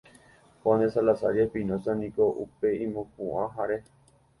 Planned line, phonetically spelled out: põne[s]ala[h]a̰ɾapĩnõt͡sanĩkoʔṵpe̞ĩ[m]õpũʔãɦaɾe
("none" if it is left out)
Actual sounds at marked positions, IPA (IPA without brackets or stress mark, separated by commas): s, s, m